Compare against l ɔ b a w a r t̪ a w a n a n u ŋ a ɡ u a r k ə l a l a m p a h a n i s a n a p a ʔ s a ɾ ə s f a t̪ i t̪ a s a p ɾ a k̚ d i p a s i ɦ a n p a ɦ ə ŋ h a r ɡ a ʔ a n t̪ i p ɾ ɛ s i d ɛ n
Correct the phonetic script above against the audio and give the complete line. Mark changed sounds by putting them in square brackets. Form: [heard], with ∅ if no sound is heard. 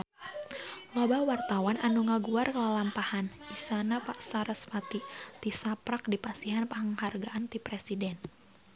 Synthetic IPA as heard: l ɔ b a w a r t̪ a w a n a n u ŋ a ɡ u a r k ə l a l a m p a h a n i s a n a p a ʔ s a ɾ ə s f a t̪ i t̪ [i] s a p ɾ a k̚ d i p a s i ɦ a n p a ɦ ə ŋ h a r ɡ a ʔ a n t̪ i p ɾ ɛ s i d ɛ n